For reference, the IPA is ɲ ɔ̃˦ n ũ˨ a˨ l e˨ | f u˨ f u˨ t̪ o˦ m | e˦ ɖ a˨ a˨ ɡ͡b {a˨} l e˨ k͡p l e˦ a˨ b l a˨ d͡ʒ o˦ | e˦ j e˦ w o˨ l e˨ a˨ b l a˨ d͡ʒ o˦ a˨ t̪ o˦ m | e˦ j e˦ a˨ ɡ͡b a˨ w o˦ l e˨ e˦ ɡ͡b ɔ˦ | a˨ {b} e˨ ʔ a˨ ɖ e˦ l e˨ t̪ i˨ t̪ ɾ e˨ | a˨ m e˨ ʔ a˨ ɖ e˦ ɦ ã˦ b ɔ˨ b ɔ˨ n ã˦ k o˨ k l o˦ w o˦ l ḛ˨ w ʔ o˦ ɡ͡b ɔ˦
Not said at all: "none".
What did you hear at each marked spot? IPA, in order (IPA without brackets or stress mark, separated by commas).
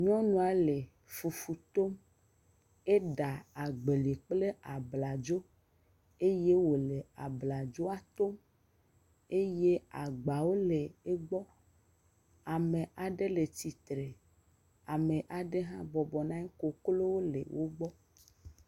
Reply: e˨, m